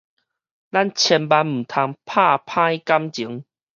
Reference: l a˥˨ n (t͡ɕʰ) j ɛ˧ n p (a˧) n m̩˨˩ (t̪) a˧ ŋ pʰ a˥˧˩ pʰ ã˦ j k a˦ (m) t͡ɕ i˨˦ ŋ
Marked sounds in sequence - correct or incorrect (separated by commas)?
correct, correct, incorrect, correct